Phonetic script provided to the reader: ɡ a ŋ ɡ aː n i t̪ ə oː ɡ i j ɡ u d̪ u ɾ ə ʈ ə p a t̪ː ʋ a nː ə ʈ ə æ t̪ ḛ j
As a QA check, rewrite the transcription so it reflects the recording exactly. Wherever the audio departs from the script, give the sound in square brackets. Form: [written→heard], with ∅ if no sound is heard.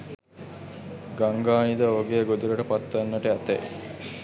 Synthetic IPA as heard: ɡ a ŋ ɡ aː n i [t̪→d̪] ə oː ɡ [i→e] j ɡ [u→o] d̪ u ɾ ə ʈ ə p a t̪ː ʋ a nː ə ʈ ə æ t̪ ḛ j